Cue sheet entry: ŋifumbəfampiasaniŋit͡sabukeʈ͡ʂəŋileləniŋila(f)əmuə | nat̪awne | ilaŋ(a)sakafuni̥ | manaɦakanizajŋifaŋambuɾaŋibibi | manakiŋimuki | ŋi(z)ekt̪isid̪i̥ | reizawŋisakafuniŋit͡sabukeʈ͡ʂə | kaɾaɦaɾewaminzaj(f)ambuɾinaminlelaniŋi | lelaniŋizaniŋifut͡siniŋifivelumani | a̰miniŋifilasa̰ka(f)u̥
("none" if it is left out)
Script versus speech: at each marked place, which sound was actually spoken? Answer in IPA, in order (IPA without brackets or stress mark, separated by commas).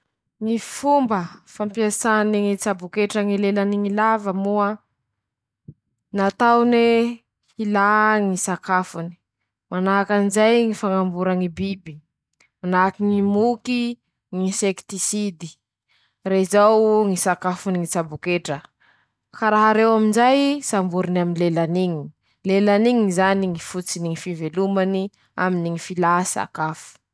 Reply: v, i, s, s, f